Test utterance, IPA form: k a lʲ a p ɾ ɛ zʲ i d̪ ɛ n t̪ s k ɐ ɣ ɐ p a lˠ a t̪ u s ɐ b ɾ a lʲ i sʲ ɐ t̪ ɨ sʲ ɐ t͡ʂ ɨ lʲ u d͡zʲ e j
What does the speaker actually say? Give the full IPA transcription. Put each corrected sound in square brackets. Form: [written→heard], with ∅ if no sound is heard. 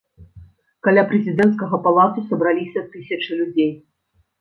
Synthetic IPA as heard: k a lʲ a p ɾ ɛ zʲ i d̪ ɛ n t̪ s k ɐ ɣ ɐ p a lˠ a t̪ u s ɐ b ɾ a lʲ i sʲ ɐ t̪ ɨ sʲ ɐ t͡ʂ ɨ lʲ u d͡zʲ e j